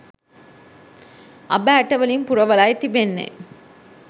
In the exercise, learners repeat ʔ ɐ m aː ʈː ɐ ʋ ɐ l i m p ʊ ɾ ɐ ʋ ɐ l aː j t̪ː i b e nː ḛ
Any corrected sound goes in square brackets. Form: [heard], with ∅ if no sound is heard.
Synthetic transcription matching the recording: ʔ ɐ [b] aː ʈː ɐ ʋ ɐ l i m p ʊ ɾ ɐ ʋ ɐ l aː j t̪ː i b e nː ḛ